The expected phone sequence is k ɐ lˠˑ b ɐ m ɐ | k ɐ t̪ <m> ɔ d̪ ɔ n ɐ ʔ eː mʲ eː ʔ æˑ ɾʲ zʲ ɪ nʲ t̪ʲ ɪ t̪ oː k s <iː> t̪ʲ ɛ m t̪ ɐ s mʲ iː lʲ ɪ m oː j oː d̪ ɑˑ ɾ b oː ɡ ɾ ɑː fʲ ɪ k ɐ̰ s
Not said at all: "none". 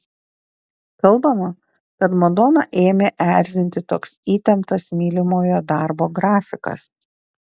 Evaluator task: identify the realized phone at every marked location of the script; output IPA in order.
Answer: m, iː

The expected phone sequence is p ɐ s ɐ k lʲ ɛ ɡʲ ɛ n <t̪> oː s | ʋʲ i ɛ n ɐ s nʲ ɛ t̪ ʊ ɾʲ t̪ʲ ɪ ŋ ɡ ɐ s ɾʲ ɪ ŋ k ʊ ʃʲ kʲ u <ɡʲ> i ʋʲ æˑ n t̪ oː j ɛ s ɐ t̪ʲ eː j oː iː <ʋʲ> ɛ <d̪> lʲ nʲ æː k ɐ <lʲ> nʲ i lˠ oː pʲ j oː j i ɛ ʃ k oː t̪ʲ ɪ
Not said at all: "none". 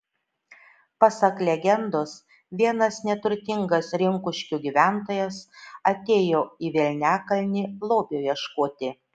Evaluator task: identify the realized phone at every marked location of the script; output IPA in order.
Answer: d̪, ɡʲ, ʋʲ, none, lʲ

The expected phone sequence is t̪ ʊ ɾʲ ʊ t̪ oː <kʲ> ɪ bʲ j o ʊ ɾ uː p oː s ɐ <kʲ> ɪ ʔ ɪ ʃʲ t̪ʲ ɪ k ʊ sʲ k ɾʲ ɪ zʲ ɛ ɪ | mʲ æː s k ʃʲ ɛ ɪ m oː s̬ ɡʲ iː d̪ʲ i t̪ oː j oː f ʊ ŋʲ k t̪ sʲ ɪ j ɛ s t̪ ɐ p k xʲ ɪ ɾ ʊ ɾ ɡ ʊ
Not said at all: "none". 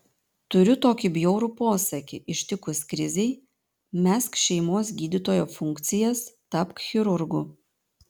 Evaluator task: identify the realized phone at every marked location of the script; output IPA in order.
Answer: kʲ, kʲ

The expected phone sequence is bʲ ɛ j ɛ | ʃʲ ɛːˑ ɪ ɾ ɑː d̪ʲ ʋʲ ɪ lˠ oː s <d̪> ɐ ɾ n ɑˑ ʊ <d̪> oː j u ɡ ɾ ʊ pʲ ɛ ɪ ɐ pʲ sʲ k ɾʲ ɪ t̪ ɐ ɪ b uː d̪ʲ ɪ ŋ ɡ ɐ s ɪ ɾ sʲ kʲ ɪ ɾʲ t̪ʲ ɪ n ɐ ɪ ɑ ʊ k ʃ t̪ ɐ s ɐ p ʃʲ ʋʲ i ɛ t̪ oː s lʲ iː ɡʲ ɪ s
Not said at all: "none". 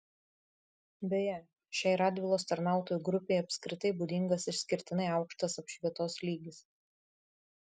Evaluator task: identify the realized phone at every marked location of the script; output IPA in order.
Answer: t̪, t̪

